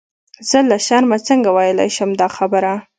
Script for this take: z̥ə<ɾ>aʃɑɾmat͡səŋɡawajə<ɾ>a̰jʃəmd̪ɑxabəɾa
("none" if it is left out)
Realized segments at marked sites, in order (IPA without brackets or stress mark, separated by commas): l, l